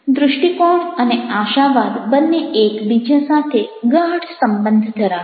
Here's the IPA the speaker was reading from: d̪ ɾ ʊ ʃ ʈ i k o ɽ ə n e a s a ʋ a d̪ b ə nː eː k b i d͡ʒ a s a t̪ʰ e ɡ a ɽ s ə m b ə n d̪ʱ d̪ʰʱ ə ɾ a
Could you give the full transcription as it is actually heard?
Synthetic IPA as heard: d̪ ɾ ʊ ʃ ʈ i k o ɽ ə n e a ʃ a ʋ a d̪ b ə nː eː k b i d͡ʒ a s a t̪ʰ e ɡ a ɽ s ə m b ə n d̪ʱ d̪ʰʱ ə ɾ a